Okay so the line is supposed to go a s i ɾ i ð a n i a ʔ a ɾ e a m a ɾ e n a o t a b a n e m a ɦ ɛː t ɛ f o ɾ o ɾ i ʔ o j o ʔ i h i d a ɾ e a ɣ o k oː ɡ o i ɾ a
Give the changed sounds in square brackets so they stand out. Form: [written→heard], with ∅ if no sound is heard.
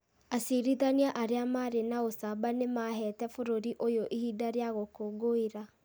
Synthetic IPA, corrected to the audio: a s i ɾ i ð a n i a ʔ a ɾ e a m a ɾ e n a o [t→s] a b a n e m a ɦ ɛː t ɛ f o ɾ o ɾ i ʔ o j o ʔ i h i d a ɾ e a ɣ o k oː ɡ o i ɾ a